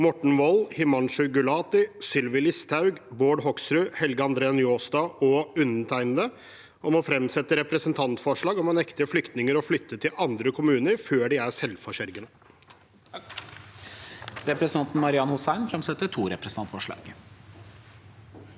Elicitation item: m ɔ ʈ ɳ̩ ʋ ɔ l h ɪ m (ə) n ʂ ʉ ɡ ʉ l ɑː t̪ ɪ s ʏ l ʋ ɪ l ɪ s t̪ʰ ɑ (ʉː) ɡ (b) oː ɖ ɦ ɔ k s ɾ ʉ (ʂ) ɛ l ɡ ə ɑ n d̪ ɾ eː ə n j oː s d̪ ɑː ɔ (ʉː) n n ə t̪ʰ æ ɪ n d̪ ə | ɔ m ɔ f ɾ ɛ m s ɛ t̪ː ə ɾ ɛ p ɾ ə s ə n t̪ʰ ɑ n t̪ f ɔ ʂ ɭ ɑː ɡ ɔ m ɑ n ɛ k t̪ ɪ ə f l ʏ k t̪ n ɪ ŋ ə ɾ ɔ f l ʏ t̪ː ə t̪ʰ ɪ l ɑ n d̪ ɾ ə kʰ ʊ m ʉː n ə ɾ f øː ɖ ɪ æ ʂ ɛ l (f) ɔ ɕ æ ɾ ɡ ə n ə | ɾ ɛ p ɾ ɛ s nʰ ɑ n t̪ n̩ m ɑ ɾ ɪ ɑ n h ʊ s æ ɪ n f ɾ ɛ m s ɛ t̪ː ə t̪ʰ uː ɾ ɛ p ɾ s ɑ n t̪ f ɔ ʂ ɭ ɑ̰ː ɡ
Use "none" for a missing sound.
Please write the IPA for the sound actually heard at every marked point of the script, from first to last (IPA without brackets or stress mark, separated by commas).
ɑ, ʉ, b, h, ʉ, f